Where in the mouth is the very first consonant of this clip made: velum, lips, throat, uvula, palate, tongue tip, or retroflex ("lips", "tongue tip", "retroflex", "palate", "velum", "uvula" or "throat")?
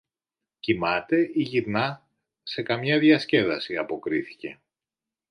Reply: palate